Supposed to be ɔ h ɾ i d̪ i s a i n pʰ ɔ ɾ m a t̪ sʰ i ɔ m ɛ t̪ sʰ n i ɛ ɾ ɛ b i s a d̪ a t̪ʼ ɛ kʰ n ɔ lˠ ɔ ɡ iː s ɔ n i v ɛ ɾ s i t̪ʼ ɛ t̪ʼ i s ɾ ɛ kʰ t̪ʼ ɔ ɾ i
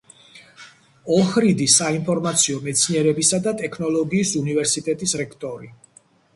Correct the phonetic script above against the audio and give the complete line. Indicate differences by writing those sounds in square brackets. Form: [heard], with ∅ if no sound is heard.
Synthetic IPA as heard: ɔ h ɾ i d̪ i s a i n pʰ ɔ ɾ m a t̪ sʰ i ɔ m ɛ t̪ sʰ n i ɛ ɾ ɛ b i s a d̪ a t̪ʼ ɛ kʰ n ɔ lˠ ɔ ɡ iː s [u] n i v ɛ ɾ s i t̪ʼ ɛ t̪ʼ i s ɾ ɛ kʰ t̪ʼ ɔ ɾ i